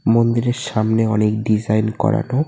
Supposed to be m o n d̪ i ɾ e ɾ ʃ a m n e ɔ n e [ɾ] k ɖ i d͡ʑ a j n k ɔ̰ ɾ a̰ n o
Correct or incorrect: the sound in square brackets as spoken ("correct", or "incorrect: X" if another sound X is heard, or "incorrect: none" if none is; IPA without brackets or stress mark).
incorrect: none